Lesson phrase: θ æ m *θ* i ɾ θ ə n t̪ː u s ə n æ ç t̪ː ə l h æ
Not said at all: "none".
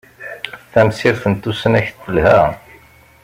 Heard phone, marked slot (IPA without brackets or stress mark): s